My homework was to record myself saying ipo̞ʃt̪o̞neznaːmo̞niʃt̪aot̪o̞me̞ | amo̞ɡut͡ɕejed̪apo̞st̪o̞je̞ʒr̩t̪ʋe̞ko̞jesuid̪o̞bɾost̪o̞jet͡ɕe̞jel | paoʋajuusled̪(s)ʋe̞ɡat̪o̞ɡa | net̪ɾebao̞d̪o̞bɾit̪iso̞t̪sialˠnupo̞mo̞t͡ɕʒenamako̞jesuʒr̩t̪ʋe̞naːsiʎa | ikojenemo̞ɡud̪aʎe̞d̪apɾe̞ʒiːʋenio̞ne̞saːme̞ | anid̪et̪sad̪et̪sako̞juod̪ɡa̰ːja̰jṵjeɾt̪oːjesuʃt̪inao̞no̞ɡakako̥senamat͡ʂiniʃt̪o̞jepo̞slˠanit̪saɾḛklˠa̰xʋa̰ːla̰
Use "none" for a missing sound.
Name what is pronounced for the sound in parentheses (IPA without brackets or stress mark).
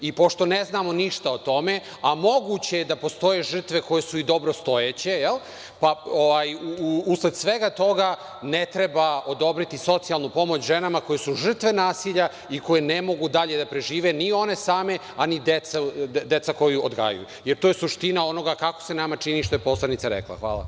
s